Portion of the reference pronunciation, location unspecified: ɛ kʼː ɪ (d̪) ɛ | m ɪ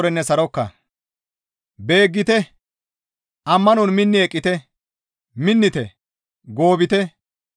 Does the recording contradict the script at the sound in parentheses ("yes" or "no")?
yes